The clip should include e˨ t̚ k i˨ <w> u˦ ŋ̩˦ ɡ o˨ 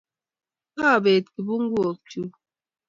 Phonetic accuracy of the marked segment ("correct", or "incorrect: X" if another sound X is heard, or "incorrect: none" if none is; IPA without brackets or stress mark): incorrect: b